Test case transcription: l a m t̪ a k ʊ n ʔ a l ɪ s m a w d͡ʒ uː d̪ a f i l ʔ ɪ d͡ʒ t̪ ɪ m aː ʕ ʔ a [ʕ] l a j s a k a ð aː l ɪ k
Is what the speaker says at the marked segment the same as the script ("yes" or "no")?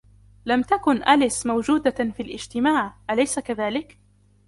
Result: no